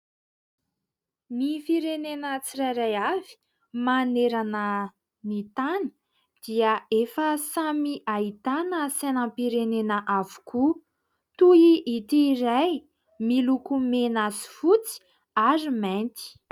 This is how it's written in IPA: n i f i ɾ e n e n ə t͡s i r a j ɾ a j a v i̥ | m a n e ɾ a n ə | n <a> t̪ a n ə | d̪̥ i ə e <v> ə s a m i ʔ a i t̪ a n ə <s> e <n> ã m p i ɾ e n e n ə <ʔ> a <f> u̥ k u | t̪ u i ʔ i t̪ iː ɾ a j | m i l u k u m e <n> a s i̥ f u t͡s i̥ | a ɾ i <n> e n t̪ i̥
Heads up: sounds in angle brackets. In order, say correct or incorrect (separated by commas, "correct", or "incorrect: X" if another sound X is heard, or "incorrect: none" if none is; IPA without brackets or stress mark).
incorrect: i, incorrect: f, correct, correct, correct, incorrect: v, correct, incorrect: m